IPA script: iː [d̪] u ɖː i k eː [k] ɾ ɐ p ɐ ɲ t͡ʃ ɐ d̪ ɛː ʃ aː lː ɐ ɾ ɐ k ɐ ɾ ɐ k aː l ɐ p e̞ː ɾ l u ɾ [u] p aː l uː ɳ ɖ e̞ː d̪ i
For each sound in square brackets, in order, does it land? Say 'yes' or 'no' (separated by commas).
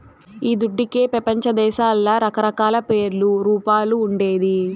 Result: yes, no, no